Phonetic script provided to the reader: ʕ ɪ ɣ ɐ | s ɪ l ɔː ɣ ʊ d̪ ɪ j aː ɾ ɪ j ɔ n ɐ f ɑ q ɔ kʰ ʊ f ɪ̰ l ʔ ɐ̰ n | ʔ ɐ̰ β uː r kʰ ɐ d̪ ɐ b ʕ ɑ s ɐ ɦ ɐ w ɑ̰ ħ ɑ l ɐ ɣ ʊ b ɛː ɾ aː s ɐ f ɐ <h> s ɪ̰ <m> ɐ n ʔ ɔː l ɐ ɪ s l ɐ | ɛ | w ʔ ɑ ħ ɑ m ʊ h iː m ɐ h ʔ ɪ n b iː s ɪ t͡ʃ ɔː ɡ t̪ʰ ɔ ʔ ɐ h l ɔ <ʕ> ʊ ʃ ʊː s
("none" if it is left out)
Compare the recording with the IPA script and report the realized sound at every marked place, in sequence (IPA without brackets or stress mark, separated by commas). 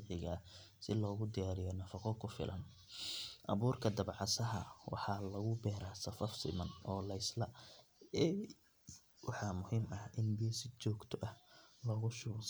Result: f, m, ɣ